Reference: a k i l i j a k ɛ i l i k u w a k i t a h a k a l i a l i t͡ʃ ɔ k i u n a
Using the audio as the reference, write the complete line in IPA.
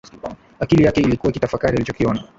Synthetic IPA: a k i l i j a k ɛ i l i k u w a k i t a f a k a ɾ i a l i t͡ʃ ɔ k i ɔ n a